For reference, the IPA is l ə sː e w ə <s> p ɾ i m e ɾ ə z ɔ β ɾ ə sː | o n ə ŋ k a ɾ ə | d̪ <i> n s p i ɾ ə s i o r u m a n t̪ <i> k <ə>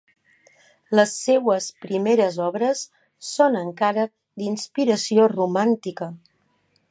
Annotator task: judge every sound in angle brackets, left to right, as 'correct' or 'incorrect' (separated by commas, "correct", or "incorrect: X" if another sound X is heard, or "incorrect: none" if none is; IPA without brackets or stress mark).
correct, correct, correct, correct